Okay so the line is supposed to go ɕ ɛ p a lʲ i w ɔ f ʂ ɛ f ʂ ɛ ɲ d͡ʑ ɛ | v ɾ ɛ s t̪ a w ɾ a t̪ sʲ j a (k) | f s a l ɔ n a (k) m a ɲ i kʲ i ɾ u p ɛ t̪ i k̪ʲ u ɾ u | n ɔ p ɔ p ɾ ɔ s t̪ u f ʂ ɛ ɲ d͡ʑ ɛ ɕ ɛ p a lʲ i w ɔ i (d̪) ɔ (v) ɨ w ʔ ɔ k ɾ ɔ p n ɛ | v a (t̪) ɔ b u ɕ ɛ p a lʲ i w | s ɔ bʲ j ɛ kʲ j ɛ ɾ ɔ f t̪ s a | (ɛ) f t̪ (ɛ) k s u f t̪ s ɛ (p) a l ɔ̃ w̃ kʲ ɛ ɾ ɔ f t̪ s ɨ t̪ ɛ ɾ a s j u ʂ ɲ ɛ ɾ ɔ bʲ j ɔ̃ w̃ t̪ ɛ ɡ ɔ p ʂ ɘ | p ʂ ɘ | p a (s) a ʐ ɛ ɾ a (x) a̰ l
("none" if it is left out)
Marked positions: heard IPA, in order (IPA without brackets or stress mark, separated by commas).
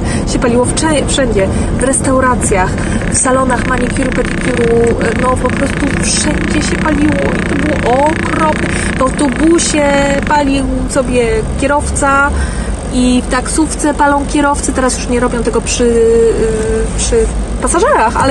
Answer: x, x, t̪, b, t̪, i, a, p, s, x